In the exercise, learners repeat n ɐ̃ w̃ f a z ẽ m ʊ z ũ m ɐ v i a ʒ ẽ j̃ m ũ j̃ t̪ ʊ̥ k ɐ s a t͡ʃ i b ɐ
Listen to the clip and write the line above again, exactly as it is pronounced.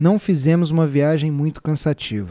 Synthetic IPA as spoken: n ɐ̃ w̃ f i z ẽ m ʊ z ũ m ɐ v i a ʒ ẽ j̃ m ũ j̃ t̪ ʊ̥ k ɐ̃ s a t͡ʃ i v ɐ